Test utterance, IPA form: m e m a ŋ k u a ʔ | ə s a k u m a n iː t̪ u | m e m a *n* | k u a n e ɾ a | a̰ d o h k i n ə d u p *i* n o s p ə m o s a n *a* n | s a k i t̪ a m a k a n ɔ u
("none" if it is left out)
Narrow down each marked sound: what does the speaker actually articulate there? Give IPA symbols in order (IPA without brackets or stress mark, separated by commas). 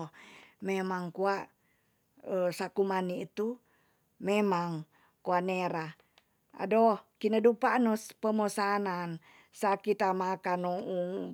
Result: ŋ, a, a